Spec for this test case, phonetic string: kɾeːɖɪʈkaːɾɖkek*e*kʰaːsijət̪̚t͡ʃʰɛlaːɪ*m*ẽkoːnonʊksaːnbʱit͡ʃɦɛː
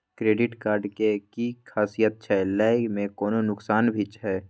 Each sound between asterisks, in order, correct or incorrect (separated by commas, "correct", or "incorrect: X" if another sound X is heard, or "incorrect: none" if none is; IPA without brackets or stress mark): incorrect: i, correct